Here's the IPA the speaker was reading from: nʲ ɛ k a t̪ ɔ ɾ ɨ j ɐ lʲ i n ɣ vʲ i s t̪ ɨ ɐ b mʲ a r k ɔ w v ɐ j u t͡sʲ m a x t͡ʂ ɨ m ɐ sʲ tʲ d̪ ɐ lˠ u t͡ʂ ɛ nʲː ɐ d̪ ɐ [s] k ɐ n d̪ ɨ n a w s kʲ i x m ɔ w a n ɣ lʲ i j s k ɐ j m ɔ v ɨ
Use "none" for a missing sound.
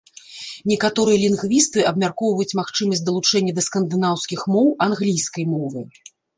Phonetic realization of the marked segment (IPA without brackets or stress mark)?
s